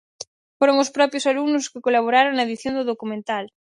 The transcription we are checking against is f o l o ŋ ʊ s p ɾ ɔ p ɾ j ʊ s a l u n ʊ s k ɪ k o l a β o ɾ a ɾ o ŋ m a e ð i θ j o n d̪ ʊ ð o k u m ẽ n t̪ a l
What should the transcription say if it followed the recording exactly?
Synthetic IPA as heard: f o ɾ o ŋ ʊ s p ɾ ɔ p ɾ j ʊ s a l u n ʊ s k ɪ k o l a β o ɾ a ɾ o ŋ n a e ð i θ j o n d̪ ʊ ð o k u m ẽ n t̪ a l